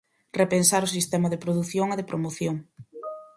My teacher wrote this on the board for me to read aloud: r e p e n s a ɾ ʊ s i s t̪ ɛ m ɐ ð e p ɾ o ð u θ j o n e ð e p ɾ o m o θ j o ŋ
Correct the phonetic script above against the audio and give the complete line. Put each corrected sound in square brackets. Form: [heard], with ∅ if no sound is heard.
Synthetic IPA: r e p e n s a ɾ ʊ s i s t̪ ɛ m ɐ ð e p ɾ o ð u θ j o [ŋ] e ð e p ɾ o m o θ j o ŋ